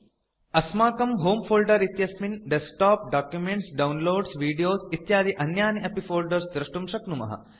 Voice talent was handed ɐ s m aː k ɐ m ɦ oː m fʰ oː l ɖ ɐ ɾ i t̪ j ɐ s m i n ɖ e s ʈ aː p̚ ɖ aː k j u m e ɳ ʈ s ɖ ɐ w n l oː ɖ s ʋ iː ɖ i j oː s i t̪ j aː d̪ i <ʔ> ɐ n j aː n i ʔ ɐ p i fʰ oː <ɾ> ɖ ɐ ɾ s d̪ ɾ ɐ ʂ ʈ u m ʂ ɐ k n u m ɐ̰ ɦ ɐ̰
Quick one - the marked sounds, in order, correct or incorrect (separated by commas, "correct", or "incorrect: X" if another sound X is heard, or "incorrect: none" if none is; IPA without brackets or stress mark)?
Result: correct, incorrect: l